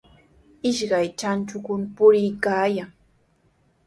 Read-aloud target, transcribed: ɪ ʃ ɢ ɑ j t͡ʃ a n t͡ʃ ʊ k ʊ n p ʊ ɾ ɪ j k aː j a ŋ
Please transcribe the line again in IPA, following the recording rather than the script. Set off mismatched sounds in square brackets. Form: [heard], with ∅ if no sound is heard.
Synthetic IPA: ɪ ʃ ɢ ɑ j t͡ʃ a n t͡ʃ ʊ k ʊ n p ʊ ɾ ɪ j k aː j a ŋ